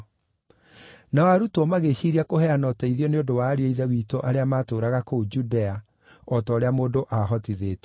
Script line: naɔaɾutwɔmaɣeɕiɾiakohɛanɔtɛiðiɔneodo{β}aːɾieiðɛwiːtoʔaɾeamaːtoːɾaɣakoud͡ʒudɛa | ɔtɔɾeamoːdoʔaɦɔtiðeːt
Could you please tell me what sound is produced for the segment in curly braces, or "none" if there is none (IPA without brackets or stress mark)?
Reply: w